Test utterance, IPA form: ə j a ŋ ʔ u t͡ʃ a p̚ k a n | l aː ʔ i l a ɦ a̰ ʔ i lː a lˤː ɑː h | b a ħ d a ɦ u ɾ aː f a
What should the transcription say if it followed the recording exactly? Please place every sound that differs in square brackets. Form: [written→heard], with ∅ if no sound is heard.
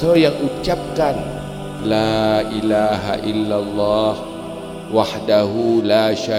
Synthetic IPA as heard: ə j a ŋ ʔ u t͡ʃ a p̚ k a n | l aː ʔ i l a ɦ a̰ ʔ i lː a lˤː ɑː h | [b→w] a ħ d a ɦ u [ɾ→l] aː [f→ʃ] a